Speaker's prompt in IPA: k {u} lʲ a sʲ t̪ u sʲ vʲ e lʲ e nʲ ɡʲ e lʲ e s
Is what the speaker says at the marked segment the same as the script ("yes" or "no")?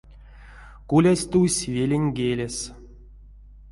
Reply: yes